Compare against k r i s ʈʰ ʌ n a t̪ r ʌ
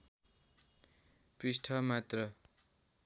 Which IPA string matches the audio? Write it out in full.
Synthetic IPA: p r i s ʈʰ ʌ m a t̪ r ʌ